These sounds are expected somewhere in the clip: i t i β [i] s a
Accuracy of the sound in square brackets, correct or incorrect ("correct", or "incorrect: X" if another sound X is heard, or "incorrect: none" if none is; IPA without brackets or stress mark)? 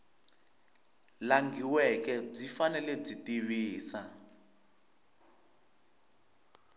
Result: incorrect: iː